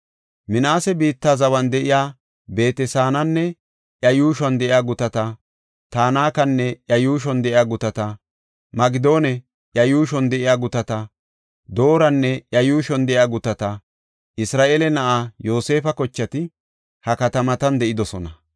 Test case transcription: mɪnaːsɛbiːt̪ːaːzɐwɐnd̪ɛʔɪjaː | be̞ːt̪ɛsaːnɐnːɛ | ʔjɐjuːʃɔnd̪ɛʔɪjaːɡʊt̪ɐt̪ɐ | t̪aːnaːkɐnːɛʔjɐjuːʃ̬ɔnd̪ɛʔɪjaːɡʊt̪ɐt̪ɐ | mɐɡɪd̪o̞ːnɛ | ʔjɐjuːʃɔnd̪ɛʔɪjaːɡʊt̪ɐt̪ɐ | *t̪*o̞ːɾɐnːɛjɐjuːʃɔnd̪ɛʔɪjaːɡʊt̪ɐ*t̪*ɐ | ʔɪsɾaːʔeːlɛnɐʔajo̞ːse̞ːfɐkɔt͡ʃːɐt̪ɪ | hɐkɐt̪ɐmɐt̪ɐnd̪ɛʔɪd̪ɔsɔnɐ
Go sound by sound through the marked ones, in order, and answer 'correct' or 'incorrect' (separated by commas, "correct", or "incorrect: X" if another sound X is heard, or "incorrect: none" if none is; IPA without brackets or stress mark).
incorrect: d̪, correct